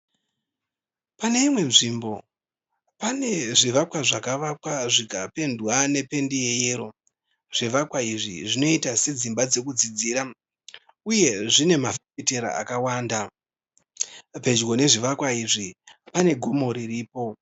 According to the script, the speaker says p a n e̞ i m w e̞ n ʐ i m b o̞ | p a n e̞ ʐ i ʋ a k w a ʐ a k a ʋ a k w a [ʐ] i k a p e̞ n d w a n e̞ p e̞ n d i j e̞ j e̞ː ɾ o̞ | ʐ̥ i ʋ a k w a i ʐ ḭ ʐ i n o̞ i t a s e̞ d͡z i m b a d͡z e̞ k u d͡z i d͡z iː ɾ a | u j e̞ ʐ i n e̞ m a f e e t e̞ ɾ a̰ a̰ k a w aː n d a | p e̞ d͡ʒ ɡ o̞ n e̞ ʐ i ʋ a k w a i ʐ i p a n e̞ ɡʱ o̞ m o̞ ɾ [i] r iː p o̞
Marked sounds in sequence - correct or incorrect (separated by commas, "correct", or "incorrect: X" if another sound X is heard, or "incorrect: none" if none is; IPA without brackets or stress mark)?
correct, correct